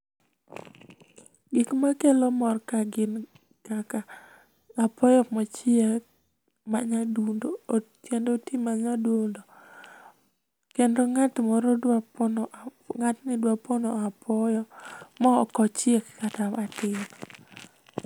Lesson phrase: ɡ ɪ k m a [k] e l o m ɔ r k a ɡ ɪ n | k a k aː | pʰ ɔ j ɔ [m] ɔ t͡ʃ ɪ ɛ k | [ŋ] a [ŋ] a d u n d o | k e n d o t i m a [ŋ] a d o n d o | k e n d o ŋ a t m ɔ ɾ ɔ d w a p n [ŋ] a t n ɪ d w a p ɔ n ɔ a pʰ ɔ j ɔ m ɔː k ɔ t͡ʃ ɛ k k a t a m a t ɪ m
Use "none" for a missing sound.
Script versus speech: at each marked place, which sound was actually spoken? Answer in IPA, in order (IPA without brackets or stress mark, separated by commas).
k, m, m, ɲ, ɲ, ŋ